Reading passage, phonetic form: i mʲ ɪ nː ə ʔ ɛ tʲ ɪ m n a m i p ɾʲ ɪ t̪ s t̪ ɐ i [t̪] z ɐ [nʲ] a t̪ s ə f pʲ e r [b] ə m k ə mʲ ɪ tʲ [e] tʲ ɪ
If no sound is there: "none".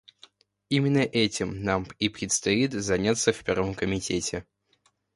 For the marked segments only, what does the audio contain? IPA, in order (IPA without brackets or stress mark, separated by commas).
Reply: t̪, nʲ, v, e